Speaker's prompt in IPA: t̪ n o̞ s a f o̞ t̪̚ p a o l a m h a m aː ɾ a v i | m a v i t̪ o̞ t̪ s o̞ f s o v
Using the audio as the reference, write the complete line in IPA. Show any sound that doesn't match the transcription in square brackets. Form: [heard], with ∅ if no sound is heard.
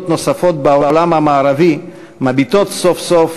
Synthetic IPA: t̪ n o̞ s a f o̞ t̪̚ [b] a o l a m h a m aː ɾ a v i | m a [b] i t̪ o̞ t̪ s o̞ f s o [f]